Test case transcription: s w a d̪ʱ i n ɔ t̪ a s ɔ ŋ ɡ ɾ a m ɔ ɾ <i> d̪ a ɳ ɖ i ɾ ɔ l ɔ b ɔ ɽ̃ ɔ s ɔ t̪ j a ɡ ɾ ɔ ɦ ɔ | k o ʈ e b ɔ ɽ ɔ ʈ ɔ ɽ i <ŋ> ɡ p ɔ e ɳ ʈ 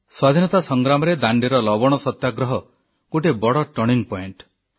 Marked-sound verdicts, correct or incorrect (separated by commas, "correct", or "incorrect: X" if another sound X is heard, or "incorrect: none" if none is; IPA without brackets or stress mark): incorrect: e, correct